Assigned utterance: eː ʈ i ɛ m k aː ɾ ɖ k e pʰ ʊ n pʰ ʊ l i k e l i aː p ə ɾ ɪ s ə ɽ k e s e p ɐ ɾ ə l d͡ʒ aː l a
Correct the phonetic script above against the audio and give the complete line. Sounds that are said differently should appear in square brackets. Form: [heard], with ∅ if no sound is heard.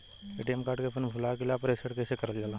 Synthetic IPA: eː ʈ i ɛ m k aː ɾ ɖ k e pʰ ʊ n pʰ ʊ l [a] k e l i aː p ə ɾ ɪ s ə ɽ k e s e [k] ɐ ɾ ə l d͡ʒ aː l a